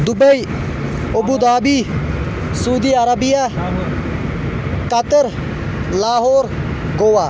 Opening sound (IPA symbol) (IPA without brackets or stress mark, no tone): d̪